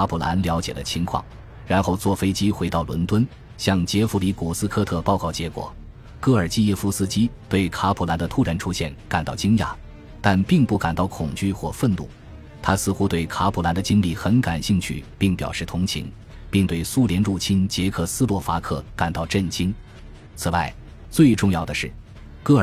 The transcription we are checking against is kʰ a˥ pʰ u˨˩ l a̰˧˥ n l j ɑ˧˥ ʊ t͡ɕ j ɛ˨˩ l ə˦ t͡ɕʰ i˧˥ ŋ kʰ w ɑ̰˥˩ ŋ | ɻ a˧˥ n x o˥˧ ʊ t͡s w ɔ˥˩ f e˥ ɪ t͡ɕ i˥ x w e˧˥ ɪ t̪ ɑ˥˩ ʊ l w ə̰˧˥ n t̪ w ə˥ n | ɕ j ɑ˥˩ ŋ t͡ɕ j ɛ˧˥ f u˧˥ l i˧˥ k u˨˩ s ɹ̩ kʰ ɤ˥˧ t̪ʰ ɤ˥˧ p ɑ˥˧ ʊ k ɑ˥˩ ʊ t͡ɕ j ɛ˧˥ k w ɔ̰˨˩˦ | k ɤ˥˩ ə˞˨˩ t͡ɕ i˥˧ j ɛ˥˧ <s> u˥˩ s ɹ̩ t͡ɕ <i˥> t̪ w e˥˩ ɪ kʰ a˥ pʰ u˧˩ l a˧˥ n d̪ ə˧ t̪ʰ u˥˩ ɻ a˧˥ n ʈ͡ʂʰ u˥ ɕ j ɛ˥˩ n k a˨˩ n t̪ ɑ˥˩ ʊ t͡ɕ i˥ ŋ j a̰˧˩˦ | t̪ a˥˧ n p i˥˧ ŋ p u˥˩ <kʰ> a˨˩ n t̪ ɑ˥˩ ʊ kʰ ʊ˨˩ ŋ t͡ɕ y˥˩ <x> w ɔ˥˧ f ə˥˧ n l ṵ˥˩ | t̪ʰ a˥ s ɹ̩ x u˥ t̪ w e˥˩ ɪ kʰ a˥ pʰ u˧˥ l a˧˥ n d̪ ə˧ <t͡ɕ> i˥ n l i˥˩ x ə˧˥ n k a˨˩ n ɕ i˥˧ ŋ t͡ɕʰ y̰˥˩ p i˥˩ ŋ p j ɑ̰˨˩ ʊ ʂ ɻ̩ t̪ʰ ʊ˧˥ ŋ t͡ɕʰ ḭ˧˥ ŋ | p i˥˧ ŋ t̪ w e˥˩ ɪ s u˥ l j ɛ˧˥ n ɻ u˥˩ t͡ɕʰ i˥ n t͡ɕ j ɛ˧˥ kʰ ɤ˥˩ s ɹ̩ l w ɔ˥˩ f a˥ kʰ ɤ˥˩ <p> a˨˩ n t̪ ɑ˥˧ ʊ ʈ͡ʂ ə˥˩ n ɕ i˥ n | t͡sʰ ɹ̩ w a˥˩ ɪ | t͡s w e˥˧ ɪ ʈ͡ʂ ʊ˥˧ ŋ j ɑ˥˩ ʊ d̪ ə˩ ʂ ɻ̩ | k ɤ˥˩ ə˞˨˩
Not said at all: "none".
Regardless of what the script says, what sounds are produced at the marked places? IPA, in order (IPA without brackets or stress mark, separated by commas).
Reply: f, i˥, k, x, t͡ɕ, k